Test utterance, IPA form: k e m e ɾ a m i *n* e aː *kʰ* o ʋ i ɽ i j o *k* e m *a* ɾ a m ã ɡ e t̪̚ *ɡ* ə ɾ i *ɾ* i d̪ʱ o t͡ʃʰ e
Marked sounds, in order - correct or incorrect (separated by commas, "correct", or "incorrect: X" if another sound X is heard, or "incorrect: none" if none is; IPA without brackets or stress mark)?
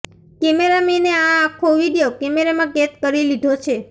correct, correct, correct, incorrect: e, incorrect: k, incorrect: l